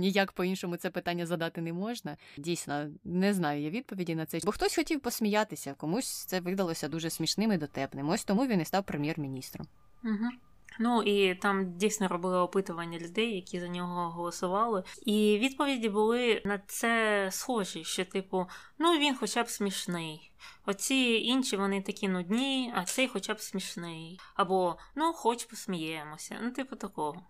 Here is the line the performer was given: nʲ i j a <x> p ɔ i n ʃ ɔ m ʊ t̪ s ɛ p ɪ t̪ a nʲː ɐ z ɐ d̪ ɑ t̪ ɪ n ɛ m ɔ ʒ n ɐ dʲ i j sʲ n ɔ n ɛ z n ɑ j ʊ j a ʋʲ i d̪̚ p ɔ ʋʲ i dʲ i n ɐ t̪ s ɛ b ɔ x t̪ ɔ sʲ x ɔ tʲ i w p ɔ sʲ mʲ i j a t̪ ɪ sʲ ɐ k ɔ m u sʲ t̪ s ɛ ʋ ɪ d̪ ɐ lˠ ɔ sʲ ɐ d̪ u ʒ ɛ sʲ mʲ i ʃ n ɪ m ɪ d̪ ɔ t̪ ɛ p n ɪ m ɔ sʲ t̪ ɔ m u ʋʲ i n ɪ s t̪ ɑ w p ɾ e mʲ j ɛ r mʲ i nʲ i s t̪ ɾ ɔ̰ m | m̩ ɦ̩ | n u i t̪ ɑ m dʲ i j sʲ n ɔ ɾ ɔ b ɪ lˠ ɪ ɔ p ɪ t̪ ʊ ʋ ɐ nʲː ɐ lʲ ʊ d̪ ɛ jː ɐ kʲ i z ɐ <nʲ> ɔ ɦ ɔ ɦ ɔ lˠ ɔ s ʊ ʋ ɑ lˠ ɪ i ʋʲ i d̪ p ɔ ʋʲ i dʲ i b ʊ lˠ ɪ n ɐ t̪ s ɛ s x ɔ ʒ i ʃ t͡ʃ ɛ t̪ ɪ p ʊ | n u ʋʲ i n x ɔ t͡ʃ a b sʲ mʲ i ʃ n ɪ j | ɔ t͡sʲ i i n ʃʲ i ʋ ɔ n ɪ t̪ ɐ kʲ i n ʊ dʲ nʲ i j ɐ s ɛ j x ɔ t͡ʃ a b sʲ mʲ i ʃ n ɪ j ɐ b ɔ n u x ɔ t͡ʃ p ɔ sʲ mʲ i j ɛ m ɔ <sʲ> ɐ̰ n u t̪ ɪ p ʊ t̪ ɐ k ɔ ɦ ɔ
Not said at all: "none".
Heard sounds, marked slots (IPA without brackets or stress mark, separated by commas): k, nʲ, sʲ